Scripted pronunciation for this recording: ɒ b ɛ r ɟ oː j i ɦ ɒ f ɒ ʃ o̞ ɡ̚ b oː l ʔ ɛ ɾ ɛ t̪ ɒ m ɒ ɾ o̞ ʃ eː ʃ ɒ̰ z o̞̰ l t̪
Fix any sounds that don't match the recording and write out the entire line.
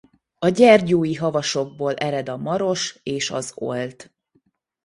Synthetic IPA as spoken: ɒ ɟ ɛ r ɟ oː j i ɦ ɒ v ɒ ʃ o̞ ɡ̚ b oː l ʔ ɛ ɾ ɛ d̪ ɒ m ɒ ɾ o̞ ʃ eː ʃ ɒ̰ z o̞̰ l t̪